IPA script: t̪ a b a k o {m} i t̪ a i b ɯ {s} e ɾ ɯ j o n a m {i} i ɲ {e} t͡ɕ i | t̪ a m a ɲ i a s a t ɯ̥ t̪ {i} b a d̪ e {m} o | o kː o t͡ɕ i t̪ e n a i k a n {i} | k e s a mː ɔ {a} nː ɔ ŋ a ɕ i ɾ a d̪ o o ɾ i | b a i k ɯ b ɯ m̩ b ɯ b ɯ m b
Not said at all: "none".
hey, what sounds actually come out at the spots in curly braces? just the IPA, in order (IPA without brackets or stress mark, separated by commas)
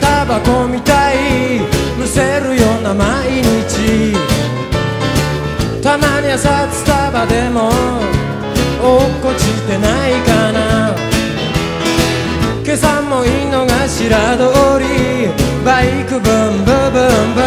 m, s, a, i, a, m, a, i